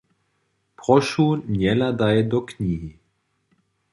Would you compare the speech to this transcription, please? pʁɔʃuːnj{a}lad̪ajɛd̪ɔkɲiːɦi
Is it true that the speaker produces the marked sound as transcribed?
no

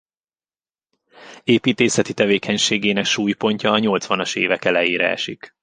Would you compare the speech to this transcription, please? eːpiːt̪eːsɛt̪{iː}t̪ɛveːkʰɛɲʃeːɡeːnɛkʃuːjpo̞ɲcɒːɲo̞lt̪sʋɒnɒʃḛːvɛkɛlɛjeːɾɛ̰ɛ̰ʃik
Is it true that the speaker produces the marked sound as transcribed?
no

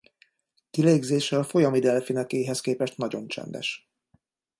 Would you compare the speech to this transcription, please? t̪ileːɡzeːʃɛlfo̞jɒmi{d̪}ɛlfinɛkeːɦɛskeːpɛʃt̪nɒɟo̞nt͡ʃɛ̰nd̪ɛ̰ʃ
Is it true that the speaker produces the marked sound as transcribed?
yes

